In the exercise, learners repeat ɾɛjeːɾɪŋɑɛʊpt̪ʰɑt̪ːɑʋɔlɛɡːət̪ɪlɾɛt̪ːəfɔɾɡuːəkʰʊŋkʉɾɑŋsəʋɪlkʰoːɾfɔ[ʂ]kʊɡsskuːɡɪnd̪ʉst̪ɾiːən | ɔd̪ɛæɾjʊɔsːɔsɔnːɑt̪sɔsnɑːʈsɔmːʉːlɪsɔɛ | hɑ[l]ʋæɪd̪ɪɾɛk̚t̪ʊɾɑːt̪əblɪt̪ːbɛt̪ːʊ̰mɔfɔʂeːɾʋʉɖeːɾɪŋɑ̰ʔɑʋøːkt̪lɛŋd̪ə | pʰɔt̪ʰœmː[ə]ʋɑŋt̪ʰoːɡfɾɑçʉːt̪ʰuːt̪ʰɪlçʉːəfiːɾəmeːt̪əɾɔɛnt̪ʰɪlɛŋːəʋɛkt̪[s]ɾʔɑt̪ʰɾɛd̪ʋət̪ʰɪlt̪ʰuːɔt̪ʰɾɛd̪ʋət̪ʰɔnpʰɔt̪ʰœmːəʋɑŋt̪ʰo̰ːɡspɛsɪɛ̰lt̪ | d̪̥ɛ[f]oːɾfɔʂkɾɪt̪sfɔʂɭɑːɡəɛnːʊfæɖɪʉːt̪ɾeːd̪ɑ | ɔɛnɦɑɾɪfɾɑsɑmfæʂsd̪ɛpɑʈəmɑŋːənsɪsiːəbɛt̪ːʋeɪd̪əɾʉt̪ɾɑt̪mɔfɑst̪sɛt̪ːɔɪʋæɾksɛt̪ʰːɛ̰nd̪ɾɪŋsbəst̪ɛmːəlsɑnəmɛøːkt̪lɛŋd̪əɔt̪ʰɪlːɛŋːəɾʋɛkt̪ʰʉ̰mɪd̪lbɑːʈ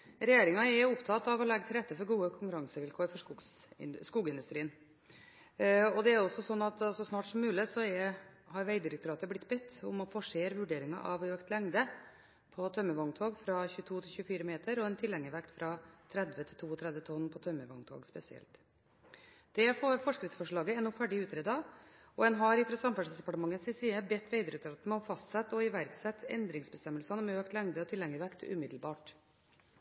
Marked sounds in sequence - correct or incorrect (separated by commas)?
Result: correct, incorrect, correct, incorrect, correct